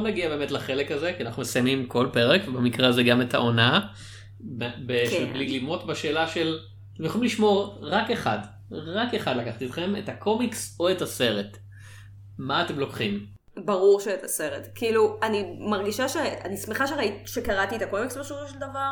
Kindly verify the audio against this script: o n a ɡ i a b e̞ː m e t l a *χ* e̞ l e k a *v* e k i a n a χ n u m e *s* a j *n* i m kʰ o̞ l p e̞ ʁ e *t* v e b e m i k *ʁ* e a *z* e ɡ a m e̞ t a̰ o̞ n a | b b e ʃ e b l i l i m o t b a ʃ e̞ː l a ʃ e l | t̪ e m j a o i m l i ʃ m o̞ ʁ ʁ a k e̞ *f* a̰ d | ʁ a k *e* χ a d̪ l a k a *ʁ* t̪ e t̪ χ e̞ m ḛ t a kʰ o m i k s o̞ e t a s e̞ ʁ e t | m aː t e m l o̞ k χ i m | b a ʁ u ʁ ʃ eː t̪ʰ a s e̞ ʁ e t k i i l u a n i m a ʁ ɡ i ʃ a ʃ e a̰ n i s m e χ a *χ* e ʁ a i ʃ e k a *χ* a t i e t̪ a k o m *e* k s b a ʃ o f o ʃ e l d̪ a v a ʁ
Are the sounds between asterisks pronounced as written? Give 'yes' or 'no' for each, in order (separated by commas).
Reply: yes, no, yes, no, no, yes, yes, no, yes, no, no, no, no